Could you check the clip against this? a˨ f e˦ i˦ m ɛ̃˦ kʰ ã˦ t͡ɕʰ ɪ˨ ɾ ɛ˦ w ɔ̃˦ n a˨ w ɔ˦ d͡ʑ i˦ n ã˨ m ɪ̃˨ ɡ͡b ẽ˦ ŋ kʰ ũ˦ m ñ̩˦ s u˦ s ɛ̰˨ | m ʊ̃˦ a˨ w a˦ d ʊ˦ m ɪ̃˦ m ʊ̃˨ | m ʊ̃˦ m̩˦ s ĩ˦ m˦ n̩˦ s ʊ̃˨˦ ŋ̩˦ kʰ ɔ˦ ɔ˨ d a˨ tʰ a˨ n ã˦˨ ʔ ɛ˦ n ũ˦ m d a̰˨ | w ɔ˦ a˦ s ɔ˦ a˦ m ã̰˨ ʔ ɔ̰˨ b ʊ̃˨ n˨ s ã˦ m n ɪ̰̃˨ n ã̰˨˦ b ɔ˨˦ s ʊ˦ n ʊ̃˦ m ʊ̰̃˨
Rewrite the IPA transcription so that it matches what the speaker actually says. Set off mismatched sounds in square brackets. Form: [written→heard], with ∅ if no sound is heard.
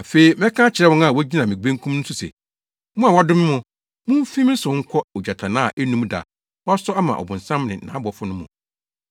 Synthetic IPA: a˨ f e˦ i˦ m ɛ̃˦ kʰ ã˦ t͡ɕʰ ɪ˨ ɾ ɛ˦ w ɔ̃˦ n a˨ w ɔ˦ d͡ʑ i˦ n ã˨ m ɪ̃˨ ɡ͡b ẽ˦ ŋ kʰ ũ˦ m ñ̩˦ s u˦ s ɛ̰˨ | m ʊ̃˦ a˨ w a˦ d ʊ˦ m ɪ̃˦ m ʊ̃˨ | m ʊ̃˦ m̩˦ [s→f] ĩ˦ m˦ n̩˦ s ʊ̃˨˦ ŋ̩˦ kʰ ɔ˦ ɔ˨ [d→d͡ʑ] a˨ tʰ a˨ n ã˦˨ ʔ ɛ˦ n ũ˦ m d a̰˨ | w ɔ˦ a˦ s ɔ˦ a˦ m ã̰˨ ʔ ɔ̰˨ b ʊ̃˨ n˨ s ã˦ m n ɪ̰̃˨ n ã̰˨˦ b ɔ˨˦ [s→f] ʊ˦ n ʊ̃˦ m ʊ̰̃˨